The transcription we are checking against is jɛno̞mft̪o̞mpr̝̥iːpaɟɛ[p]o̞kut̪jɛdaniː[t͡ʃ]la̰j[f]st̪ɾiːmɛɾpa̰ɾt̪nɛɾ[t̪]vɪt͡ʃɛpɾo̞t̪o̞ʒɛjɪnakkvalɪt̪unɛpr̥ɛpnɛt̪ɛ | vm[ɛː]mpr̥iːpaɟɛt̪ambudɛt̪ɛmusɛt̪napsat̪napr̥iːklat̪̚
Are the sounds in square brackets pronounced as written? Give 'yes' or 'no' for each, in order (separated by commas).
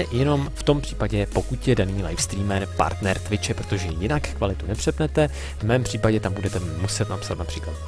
yes, no, yes, yes, yes